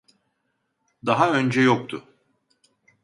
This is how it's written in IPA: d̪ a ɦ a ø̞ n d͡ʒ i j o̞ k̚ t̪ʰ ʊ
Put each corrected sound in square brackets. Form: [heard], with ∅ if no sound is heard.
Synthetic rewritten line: d̪ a ɦ a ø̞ n d͡ʒ [ɛ] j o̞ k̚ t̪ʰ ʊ